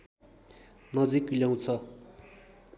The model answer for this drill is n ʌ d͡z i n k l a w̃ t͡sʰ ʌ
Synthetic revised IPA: n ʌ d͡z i k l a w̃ t͡sʰ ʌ

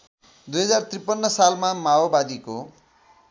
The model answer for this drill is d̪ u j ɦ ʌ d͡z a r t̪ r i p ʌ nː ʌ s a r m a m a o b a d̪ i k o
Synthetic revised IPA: d̪ u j ɦ ʌ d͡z a r t̪ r i p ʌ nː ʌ s a l m a m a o b a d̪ i k o

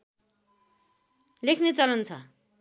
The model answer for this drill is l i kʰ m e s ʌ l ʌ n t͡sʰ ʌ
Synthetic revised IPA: l e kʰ n e t͡s ʌ l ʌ n t͡sʰ ʌ

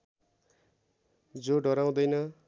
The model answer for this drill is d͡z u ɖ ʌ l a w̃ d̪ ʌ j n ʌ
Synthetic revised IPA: d͡z o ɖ ʌ ɾ a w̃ d̪ ʌ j n ʌ

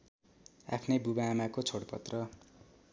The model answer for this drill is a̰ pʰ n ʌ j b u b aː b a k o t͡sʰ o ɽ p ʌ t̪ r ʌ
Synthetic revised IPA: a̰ pʰ n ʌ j b u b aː m a k o t͡sʰ o ɽ p ʌ t̪ r ʌ

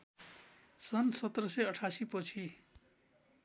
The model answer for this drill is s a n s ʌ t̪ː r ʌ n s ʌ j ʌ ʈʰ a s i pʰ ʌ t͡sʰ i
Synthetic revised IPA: s ʌ n s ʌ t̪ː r ʌ s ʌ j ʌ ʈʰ a s i p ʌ t͡sʰ i

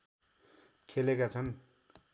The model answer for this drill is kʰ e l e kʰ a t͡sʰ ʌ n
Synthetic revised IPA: kʰ e l e k a t͡sʰ ʌ n

